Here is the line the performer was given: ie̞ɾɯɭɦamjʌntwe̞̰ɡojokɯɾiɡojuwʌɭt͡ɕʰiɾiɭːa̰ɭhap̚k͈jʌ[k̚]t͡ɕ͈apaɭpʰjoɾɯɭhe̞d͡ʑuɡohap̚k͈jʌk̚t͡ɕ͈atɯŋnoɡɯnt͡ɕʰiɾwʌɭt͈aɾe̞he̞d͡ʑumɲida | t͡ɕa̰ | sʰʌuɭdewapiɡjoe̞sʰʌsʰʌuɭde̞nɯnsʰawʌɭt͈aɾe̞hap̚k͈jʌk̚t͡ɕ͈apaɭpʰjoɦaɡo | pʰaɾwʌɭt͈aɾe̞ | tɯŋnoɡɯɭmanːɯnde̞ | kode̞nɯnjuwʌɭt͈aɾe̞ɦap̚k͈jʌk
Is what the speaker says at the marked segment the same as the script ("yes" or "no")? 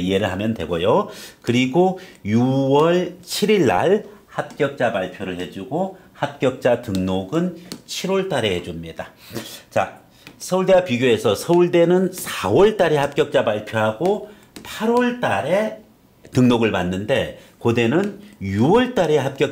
yes